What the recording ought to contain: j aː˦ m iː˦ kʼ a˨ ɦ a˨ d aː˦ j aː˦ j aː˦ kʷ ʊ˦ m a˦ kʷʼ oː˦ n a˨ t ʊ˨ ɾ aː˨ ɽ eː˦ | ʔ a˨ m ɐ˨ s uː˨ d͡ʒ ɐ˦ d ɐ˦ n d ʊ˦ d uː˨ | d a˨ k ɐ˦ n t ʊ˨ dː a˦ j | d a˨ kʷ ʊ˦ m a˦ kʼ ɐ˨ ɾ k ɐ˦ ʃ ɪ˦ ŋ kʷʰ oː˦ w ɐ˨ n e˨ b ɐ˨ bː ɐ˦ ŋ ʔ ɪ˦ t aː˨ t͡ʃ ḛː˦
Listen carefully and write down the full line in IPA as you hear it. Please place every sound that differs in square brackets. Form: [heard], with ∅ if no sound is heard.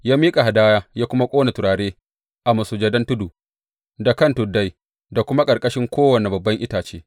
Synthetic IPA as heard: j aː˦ m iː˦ kʼ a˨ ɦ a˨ d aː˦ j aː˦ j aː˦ kʷ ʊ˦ m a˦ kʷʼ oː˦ n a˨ t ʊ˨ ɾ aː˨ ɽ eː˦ | ʔ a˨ m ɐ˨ s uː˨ d͡ʒ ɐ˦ d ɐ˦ n [t] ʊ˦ d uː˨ | d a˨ k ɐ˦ n t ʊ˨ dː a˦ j | d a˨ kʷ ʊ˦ m a˦ kʼ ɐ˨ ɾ [kʼ] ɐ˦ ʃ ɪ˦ ŋ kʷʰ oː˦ w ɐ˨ n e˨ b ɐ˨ bː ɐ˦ ŋ ʔ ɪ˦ t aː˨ t͡ʃ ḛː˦